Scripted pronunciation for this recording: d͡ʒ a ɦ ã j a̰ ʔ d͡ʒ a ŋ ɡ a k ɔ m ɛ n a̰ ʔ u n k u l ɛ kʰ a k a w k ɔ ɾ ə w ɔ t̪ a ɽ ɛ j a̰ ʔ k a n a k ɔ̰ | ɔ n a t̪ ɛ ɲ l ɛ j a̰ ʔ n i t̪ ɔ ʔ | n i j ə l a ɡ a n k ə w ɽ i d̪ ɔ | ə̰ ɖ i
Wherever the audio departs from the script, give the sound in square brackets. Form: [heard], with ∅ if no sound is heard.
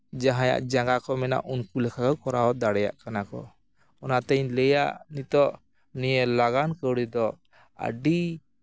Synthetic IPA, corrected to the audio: d͡ʒ a ɦ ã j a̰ ʔ d͡ʒ a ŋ ɡ a k ɔ m ɛ n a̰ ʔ u n k u l ɛ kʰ a k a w k ɔ ɾ [a] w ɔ [d̪] a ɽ ɛ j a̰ ʔ k a n a k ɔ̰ | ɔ n a t̪ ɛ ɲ l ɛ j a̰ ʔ n i t̪ ɔ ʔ | n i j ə l a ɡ a n k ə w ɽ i d̪ ɔ | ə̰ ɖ i